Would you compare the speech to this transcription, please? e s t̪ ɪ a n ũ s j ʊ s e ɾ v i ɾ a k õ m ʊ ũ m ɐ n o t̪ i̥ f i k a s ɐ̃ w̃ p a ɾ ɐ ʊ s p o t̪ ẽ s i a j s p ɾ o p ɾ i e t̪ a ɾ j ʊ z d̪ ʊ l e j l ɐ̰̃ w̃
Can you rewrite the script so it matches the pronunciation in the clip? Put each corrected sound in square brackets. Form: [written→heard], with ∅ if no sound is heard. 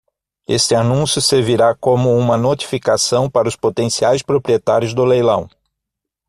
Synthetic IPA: e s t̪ ɪ a n ũ s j ʊ s e ɾ v i ɾ a k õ m ʊ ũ m ɐ n o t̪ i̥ f i k a s ɐ̃ w̃ p a ɾ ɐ ʊ s p o t̪ ẽ s i a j s p ɾ o p ɾ i e t̪ a ɾ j ʊ z d̪ ʊ l e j l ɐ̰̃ w̃